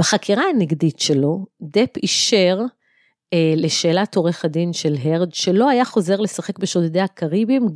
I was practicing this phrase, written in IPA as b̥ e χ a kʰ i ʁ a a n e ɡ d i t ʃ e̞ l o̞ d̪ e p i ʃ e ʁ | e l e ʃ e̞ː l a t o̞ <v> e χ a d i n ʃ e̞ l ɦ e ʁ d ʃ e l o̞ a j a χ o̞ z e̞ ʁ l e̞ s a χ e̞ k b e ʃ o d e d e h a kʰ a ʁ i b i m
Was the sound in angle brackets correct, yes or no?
no